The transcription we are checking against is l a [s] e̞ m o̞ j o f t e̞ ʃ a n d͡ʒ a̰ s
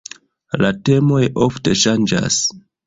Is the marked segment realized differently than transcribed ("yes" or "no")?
yes